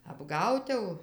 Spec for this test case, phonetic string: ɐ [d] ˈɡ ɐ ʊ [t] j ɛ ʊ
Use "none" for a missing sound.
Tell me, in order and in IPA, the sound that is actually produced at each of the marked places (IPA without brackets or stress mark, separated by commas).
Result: b, t